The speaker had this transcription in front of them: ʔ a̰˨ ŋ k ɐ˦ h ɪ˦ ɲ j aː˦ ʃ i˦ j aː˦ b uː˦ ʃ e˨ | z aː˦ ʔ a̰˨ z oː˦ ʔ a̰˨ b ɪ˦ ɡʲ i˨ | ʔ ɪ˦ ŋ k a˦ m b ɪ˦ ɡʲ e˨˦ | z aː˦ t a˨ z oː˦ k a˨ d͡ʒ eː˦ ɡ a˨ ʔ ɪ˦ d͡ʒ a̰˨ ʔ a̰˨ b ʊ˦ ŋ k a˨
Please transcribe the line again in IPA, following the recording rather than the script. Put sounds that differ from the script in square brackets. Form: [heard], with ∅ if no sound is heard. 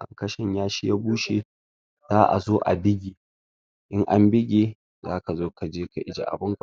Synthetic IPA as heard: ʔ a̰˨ ŋ k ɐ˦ [ʃ] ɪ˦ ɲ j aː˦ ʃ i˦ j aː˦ b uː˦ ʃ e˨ | z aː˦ ʔ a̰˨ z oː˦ ʔ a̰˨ b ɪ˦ ɡʲ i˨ | ʔ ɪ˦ ŋ [ʔ] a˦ m b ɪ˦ ɡʲ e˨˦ | z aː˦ [k] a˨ z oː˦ k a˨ d͡ʒ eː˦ [k] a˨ ʔ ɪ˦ d͡ʒ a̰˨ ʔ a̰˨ b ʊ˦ ŋ k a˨

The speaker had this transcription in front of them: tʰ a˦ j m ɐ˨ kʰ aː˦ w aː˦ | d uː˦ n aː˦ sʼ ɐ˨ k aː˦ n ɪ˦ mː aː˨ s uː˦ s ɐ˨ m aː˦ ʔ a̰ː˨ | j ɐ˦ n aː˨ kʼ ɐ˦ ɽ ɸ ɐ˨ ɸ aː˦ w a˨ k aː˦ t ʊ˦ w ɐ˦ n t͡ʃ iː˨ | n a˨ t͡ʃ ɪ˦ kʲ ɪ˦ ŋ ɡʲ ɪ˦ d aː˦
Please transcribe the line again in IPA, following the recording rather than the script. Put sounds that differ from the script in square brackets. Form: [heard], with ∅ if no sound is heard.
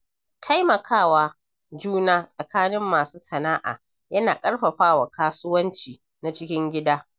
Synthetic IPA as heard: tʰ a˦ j m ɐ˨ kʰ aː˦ w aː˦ | [d͡ʒ] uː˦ n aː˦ sʼ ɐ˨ k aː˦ n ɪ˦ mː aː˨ s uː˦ s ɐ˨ [n] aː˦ ʔ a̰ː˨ | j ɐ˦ n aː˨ kʼ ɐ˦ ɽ ɸ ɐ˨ ɸ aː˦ w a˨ k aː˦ [s] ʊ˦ w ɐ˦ n t͡ʃ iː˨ | n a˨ t͡ʃ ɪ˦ kʲ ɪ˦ ŋ ɡʲ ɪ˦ d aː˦

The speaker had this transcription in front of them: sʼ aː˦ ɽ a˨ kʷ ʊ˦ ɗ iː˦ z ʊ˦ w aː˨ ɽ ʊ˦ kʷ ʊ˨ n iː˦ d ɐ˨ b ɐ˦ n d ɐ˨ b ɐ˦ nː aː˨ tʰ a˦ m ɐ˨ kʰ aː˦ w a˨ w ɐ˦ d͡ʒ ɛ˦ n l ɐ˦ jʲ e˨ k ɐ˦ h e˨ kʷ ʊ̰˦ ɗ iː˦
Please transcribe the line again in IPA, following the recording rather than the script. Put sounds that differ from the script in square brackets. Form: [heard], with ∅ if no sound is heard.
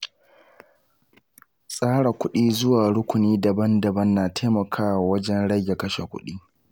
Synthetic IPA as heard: sʼ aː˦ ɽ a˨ kʷ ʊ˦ ɗ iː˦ z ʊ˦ w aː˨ ɽ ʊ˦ kʷ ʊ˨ n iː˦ d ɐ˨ b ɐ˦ n d ɐ˨ b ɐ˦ nː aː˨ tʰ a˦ m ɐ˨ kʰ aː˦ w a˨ w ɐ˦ d͡ʒ ɛ˦ n [ɽ] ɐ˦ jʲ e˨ k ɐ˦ [ʃ] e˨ kʷ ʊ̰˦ ɗ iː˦

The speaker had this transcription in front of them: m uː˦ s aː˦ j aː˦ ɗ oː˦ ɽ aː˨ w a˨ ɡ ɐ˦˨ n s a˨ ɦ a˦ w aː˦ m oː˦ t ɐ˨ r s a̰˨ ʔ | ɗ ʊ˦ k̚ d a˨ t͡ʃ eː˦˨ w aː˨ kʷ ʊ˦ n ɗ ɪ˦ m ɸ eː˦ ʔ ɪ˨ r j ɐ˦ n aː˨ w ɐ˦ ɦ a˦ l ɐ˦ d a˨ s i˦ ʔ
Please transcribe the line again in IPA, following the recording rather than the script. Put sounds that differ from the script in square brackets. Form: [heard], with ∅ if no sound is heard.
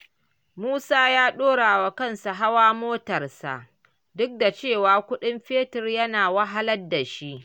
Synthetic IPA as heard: m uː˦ s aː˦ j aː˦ ɗ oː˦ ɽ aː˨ w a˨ [k] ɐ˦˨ n s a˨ ɦ a˦ w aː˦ m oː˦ t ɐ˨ r s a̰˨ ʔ | [d] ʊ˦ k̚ d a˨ t͡ʃ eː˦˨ w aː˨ kʷ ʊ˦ [∅] ɗ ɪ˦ m ɸ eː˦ [t] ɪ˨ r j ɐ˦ n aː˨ w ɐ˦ ɦ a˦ l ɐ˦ d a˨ [ʃ] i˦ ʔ

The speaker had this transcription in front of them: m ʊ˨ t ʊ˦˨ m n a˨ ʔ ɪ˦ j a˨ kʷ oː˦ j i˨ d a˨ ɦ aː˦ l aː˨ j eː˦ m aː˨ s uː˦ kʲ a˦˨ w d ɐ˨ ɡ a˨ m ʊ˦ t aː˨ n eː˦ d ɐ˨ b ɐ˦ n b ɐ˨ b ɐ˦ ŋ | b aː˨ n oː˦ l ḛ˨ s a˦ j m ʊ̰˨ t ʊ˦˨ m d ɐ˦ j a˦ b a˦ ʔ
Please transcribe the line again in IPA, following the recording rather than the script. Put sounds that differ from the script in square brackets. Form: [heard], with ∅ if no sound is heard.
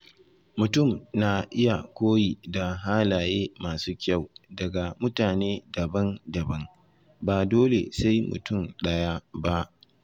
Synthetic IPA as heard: m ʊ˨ t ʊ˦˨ m n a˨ ʔ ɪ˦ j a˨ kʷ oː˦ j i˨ d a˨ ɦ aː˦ l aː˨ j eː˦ m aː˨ s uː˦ kʲ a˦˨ w d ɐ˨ ɡ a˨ m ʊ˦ t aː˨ n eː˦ d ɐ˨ b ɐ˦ n [d] ɐ˨ b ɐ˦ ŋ | b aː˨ [d] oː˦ l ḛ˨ s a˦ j m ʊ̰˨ t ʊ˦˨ m [ɗ] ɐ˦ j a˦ b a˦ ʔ

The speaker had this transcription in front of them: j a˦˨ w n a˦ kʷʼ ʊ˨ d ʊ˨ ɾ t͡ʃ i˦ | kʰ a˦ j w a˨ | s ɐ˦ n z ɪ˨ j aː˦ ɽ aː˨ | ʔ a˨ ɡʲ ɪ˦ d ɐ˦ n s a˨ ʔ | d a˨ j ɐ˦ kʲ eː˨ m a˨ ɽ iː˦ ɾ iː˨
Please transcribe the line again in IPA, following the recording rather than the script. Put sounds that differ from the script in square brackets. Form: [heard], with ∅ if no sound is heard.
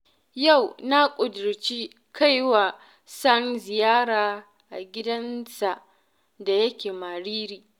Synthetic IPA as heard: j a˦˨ w n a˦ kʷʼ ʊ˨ d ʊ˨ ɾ t͡ʃ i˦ | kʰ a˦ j w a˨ | s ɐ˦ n z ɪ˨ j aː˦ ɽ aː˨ | ʔ a˨ ɡʲ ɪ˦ d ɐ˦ n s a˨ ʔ | d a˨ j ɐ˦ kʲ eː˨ m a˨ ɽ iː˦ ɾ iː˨

